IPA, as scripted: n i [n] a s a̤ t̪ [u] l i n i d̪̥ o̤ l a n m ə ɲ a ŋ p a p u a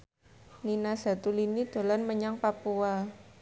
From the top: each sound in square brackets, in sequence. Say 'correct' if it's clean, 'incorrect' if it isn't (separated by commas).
correct, correct